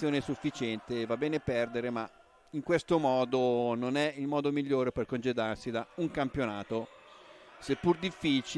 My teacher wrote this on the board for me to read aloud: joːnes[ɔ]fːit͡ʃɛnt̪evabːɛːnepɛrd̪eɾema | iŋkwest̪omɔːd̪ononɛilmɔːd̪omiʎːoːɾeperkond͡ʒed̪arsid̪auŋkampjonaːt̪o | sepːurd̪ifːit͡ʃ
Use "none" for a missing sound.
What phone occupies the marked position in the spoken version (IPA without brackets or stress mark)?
u